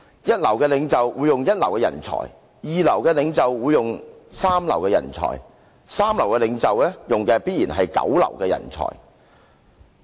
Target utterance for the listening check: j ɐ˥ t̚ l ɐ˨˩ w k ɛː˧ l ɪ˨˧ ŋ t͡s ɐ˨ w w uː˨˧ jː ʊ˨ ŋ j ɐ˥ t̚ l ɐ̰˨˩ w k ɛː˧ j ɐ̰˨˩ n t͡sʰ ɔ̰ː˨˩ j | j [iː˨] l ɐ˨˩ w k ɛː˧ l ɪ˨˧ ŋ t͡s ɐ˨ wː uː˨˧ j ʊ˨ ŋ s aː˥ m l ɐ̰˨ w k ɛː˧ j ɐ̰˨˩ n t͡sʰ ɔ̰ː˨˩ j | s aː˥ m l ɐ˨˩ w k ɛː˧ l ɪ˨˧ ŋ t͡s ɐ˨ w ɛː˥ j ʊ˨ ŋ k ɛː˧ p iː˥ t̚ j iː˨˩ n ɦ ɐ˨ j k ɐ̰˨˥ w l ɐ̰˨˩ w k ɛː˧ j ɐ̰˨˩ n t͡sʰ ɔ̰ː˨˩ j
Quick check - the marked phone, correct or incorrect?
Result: correct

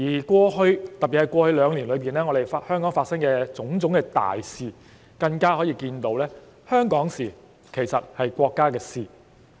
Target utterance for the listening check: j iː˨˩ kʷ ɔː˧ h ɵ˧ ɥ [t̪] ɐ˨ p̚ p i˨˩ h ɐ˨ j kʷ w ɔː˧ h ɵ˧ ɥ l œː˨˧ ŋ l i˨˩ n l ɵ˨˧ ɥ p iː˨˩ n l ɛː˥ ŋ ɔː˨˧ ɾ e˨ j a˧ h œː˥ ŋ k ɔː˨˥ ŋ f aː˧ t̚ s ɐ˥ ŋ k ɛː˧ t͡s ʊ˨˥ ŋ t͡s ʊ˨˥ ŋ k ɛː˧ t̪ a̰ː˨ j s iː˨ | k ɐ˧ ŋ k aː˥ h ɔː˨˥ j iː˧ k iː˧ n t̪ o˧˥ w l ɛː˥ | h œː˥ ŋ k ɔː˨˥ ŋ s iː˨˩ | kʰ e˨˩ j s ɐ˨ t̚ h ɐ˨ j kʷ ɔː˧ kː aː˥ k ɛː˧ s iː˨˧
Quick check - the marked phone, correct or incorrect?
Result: correct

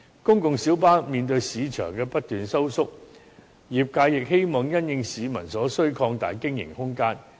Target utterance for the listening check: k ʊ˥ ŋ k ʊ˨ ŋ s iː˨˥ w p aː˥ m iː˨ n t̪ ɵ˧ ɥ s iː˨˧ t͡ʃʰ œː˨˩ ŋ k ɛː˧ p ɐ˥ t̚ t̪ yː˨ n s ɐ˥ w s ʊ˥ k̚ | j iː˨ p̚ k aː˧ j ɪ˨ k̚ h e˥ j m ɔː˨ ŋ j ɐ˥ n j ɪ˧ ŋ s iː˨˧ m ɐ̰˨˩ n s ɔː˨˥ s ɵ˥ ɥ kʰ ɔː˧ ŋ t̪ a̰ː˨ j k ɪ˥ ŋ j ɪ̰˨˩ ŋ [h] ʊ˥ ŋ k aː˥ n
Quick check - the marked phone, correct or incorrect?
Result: correct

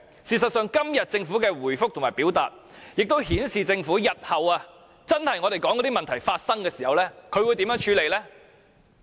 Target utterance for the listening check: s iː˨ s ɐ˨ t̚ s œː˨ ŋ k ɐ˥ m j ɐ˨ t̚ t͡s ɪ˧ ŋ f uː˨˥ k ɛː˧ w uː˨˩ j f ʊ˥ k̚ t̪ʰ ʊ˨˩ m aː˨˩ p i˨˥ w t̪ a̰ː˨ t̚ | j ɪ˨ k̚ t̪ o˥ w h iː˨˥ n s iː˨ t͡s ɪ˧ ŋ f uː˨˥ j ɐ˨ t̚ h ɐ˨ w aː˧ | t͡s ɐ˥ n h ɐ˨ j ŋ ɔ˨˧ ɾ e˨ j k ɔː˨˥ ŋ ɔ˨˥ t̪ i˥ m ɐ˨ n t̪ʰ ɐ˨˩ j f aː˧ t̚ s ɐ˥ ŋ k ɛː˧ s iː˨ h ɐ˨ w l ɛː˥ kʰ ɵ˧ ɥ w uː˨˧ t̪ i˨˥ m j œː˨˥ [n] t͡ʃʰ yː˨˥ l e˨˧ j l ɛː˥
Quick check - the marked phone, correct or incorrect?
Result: incorrect: ŋ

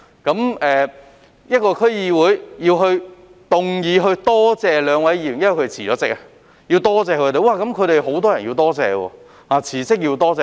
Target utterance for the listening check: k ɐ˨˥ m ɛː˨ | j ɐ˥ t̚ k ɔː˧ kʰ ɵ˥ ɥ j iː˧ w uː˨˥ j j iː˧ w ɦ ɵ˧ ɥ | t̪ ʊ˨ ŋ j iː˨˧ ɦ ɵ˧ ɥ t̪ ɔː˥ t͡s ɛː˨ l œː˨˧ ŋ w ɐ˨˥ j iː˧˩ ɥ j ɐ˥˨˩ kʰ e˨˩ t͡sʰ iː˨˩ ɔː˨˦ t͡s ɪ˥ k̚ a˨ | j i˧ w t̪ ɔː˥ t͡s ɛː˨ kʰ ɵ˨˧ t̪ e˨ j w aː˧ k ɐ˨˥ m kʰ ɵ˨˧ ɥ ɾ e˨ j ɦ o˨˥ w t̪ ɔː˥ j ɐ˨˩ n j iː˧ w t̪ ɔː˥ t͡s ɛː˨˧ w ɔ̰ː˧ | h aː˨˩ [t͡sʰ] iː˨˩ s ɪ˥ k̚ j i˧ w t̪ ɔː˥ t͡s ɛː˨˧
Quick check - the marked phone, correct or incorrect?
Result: correct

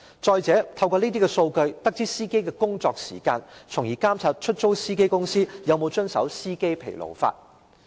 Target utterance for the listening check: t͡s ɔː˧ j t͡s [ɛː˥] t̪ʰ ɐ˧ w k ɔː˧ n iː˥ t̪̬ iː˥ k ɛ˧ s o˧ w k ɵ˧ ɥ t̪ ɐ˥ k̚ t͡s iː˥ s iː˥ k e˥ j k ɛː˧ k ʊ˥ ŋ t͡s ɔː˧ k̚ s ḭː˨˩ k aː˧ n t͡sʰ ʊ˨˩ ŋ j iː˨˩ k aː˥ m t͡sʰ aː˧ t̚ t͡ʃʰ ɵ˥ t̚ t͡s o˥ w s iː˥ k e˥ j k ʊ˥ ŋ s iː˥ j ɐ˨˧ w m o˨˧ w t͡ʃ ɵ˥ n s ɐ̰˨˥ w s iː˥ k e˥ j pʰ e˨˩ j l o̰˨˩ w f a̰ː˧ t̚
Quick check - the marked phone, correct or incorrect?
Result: incorrect: ɛː˨˥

